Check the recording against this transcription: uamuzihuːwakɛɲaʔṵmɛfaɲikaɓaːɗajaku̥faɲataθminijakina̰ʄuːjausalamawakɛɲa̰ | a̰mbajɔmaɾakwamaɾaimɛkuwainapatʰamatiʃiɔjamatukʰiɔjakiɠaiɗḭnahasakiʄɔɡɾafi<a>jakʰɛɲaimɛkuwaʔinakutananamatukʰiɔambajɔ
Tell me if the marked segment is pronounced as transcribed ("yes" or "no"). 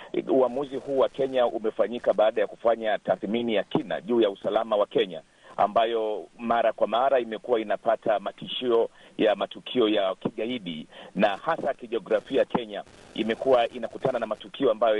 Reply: yes